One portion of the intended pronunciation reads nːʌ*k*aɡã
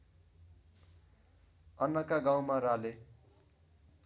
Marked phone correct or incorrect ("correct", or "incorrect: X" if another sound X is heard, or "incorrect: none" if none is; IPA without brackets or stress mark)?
correct